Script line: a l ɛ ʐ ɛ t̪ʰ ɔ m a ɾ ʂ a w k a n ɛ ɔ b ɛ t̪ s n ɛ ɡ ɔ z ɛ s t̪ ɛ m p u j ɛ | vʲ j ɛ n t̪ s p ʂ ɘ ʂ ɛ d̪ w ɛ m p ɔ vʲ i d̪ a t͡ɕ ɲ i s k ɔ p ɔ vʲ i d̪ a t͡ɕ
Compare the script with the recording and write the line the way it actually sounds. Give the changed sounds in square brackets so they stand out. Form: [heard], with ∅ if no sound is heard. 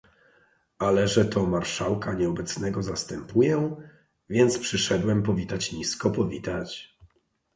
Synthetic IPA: a l ɛ ʐ ɛ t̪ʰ ɔ m a ɾ ʂ a w k a [ɲ] ɛ ɔ b ɛ t̪ s n ɛ ɡ ɔ z [a] s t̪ ɛ m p u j ɛ | vʲ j ɛ n t̪ s p ʂ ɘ ʂ ɛ d̪ w ɛ m p ɔ vʲ i [t̪] a t͡ɕ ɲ i s k ɔ p ɔ vʲ i [t̪] a t͡ɕ